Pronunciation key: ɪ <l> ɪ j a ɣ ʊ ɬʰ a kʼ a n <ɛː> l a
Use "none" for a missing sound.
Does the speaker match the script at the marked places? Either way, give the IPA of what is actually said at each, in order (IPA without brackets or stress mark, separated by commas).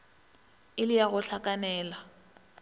l, ɛː